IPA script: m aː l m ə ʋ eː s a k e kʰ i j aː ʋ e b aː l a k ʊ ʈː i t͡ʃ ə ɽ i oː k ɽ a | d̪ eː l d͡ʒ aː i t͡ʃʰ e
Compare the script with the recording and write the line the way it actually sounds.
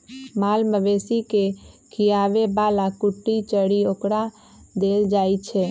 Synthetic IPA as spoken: m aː l m ə ʋ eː s i k e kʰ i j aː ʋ e b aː l a k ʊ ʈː i t͡ʃ ə ɽ i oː k ɽ a | d̪ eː l d͡ʒ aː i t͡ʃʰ e